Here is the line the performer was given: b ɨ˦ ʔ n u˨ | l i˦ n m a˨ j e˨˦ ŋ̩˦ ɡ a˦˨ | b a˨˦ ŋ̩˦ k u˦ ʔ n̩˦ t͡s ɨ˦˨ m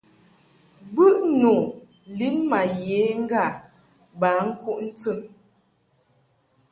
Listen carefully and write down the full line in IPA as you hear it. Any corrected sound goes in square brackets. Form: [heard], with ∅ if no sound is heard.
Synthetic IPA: b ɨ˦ ʔ n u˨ | l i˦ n m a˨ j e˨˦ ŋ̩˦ ɡ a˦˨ | b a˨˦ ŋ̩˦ k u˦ ʔ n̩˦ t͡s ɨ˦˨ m

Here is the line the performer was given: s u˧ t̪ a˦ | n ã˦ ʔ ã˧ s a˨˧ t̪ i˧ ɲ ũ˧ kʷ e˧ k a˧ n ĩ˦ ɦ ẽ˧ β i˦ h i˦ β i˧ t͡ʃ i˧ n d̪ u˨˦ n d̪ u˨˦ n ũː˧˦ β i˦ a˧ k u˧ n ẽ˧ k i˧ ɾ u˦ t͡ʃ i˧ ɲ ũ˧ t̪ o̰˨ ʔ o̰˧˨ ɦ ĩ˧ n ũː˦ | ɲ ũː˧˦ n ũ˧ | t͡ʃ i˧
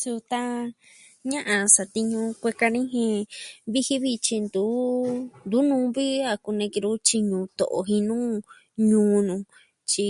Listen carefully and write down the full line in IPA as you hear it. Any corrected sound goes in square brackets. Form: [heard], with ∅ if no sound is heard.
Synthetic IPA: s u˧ t̪ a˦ | [ɲ] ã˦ ʔ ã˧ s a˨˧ t̪ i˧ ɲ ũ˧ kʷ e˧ k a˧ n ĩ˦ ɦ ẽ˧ β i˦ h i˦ β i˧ t͡ʃ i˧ n d̪ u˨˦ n d̪ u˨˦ n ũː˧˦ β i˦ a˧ k u˧ n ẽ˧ k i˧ ɾ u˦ t͡ʃ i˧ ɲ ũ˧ t̪ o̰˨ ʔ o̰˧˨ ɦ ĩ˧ n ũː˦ | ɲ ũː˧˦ n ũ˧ | t͡ʃ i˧

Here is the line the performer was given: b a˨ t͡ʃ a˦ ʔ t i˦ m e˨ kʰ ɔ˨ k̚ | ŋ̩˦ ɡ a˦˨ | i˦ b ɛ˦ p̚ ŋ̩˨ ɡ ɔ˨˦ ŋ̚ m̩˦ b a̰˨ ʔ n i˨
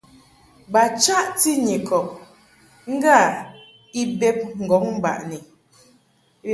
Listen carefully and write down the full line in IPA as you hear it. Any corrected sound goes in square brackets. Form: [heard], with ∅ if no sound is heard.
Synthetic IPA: b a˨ t͡ʃ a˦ ʔ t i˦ [ɲ] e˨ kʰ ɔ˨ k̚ | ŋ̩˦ ɡ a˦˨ | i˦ b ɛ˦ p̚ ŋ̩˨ ɡ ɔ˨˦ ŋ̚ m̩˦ b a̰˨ ʔ n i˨

